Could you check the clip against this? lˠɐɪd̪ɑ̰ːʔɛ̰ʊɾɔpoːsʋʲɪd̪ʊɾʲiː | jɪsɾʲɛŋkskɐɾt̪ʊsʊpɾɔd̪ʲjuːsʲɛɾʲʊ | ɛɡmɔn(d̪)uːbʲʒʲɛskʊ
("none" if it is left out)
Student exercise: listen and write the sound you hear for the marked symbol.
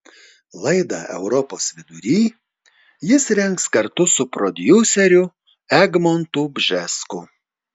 t̪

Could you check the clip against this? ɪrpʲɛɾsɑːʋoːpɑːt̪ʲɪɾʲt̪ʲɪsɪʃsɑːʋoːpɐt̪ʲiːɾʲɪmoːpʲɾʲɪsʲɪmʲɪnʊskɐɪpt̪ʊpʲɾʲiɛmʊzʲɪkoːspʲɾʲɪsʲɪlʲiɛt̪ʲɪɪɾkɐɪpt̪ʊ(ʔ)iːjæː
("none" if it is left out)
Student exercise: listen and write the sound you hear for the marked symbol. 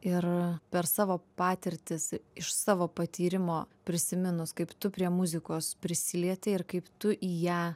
ʔ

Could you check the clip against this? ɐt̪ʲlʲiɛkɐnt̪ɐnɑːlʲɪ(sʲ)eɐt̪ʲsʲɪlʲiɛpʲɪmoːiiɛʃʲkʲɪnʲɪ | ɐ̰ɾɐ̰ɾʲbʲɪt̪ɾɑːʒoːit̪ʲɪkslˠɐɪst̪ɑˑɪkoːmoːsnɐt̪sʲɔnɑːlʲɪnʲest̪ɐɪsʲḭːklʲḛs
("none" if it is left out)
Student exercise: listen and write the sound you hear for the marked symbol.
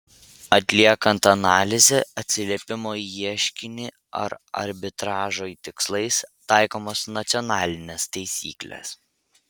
zʲ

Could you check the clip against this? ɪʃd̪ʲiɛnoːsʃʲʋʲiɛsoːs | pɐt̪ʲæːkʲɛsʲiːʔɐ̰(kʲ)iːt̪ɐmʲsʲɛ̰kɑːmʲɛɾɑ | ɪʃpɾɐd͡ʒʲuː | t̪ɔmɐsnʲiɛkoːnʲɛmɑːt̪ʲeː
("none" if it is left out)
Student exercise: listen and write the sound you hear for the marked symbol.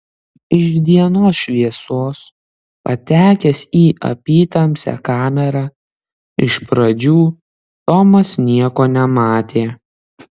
pʲ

